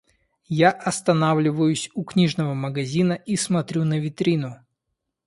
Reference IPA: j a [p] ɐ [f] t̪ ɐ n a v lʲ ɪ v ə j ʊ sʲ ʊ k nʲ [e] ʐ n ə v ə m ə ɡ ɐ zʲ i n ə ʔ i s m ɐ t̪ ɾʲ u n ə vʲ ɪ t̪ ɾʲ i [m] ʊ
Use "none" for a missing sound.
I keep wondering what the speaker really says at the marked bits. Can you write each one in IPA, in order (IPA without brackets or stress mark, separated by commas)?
ʔ, s, i, n